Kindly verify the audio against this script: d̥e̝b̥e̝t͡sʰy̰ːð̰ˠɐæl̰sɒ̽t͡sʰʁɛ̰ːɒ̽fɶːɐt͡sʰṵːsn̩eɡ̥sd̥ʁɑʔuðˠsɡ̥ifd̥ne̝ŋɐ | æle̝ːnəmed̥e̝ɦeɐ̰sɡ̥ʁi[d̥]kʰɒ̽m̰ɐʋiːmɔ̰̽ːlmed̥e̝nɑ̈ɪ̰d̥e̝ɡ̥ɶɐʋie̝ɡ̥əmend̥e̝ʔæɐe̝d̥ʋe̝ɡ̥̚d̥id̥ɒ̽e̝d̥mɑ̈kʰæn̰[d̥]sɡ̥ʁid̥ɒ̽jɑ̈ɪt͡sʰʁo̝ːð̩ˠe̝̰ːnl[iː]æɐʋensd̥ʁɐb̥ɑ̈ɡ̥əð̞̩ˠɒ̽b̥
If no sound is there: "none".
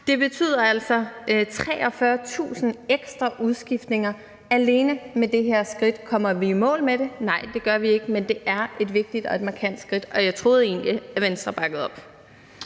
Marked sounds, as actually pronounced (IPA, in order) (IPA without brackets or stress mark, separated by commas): d̥, d̥, i